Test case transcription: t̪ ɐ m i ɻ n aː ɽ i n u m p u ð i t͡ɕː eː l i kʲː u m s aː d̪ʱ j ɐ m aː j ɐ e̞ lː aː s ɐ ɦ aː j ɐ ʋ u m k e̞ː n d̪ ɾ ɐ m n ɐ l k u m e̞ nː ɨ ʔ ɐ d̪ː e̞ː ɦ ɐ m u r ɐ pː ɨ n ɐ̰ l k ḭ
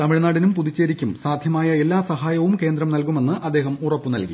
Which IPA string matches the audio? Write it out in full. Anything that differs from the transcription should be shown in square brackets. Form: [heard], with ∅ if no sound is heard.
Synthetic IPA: t̪ ɐ m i ɻ n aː ɽ i n u m p u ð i t͡ɕː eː [ɾ] i kʲː u m s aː d̪ʱ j ɐ m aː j ɐ e̞ lː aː s ɐ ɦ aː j ɐ ʋ u m k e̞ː n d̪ ɾ ɐ m n ɐ l k u m e̞ nː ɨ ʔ ɐ d̪ː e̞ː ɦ ɐ m u r ɐ pː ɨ n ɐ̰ l k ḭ